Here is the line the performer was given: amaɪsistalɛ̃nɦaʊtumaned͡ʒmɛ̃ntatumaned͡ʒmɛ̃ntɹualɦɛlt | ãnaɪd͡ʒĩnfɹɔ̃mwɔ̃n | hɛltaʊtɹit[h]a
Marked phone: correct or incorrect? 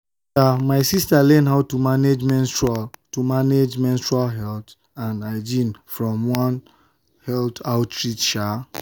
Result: incorrect